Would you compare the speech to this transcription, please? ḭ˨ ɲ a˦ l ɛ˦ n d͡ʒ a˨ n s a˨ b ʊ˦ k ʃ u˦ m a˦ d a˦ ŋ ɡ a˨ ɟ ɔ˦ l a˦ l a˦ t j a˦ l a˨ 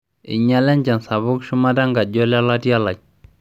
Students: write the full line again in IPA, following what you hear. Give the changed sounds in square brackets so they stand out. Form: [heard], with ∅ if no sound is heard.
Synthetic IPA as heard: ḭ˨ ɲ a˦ l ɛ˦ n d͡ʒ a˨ n s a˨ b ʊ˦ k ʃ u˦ m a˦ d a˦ ŋ ɡ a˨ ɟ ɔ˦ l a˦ l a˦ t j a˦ l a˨